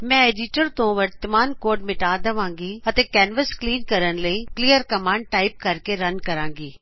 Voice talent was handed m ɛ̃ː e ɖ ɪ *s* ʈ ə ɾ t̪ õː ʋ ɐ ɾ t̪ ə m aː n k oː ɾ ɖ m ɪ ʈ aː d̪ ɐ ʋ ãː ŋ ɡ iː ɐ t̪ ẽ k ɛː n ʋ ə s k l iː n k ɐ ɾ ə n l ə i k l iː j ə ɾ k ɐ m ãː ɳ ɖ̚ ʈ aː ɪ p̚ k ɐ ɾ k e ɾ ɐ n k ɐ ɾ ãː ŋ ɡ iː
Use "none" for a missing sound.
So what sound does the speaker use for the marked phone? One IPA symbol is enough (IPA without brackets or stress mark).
none